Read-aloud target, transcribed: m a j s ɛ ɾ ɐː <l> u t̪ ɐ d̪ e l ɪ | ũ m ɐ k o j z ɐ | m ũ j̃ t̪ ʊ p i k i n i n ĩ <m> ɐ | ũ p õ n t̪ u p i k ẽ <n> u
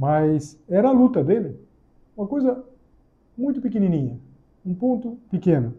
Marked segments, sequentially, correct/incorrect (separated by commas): correct, incorrect, correct